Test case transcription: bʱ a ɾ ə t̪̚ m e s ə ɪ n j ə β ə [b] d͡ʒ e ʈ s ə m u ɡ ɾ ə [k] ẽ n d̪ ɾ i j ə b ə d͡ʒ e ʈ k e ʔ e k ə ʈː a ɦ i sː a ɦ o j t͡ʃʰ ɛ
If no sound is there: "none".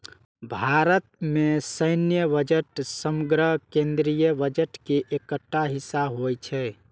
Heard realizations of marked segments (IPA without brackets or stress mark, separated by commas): none, k